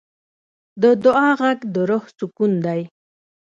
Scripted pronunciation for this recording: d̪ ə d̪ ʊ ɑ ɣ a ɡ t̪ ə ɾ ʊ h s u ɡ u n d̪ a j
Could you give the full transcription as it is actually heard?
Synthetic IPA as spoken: d̪ ə d̪ ʊ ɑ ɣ a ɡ d̪ ə ɾ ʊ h s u k u n d̪ a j